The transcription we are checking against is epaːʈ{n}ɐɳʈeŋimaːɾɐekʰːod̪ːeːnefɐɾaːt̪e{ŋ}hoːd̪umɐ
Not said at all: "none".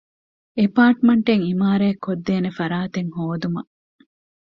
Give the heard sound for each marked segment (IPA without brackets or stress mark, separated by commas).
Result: m, ŋ